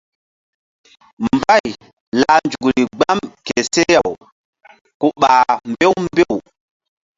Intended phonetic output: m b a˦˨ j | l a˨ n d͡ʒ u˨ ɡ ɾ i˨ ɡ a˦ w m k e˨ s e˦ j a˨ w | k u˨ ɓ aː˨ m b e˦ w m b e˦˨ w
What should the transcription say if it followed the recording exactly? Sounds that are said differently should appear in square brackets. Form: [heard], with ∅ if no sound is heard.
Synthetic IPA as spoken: m b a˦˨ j | l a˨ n d͡ʒ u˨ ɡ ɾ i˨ [ɡ͡b] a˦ [∅] m k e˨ s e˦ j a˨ w | k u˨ ɓ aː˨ m b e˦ w m b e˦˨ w